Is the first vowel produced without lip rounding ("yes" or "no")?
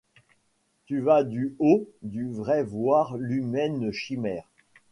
no